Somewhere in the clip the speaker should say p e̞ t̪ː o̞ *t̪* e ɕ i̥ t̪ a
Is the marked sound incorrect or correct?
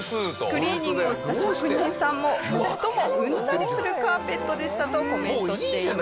incorrect: d̪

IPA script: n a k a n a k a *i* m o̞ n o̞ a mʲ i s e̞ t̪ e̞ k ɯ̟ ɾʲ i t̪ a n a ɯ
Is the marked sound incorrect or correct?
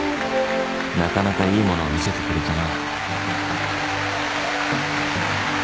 incorrect: iː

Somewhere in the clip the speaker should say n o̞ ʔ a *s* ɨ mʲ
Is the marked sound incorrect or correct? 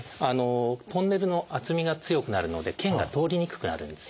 incorrect: t͡s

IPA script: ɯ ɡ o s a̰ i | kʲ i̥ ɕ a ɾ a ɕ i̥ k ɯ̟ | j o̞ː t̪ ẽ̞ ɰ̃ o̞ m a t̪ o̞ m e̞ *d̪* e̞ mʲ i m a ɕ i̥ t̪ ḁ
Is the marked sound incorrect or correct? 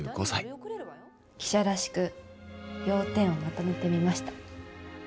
incorrect: t̪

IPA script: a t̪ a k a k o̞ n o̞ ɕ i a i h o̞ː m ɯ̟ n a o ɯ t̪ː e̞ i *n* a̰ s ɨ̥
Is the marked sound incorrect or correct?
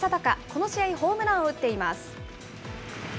incorrect: m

